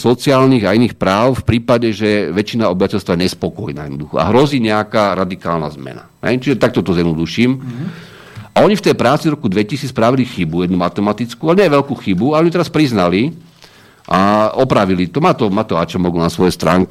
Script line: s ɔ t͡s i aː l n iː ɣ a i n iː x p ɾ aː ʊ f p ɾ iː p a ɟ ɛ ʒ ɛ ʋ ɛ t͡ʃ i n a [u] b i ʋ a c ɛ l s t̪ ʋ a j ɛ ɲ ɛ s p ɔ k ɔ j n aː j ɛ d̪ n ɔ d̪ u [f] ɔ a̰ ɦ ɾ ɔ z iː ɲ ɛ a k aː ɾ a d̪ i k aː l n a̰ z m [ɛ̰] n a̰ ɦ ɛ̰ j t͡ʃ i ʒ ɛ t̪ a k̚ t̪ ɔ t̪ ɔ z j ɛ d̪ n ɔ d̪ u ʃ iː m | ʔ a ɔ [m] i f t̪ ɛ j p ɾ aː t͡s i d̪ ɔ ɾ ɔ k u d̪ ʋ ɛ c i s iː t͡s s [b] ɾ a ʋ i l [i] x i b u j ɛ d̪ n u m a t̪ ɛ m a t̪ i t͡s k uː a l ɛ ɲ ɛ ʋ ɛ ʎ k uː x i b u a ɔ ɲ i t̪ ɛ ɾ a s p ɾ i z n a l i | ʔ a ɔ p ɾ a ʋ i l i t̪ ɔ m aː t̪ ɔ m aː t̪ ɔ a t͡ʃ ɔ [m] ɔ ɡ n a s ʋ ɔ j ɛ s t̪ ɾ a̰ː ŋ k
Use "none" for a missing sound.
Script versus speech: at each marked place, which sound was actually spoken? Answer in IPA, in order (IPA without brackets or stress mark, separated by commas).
ɔ, x, ɛ̰, ɲ, p, i, m